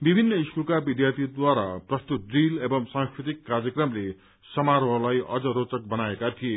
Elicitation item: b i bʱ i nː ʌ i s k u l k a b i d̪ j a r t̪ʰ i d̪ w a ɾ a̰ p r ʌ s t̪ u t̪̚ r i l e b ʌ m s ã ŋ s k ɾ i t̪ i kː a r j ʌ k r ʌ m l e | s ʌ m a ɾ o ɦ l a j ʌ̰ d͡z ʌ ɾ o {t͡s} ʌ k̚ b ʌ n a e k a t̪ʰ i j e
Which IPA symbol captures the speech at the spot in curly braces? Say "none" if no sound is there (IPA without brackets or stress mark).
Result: t͡s